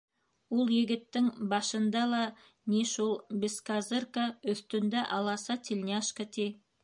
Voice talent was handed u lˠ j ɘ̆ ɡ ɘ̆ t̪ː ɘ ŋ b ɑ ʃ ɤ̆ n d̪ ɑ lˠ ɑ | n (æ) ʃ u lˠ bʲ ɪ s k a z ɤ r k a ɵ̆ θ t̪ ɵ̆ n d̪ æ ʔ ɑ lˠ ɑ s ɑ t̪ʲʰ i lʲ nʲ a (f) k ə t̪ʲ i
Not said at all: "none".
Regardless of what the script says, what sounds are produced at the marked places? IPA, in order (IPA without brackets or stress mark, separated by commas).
i, ʃ